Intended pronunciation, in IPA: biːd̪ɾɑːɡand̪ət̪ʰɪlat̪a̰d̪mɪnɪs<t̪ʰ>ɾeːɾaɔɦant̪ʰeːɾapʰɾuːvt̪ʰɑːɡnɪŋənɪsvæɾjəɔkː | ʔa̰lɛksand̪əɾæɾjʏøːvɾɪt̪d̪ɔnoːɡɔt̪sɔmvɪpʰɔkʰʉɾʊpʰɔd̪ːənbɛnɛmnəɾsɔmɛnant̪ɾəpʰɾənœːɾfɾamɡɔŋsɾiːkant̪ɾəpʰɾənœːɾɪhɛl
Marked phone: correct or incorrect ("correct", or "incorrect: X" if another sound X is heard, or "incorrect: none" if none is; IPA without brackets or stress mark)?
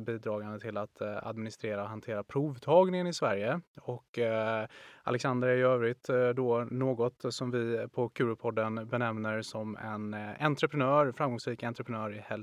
incorrect: t̪